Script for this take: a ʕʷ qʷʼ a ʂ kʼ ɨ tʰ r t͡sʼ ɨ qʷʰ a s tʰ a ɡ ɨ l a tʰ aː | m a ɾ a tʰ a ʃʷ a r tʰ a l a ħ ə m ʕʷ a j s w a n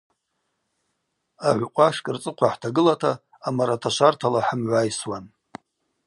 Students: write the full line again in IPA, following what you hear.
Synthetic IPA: a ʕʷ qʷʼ a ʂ kʼ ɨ r t͡sʼ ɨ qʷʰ a ħ tʰ a ɡ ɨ l a tʰ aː | m a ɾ a tʰ a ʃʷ a r tʰ a l a ħ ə m ʕʷ a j s w a n